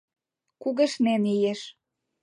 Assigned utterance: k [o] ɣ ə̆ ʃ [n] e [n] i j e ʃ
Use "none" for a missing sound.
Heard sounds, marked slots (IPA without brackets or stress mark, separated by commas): u, n, n